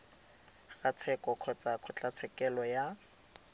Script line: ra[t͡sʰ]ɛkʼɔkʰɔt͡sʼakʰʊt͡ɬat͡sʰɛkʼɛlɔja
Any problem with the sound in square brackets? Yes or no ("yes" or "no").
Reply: no